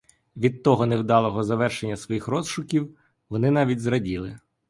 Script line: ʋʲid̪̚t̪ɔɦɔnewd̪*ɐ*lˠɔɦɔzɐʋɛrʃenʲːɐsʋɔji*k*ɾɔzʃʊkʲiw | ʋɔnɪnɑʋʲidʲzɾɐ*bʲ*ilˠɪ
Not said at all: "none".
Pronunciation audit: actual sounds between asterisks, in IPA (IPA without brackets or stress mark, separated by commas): ɑ, x, dʲ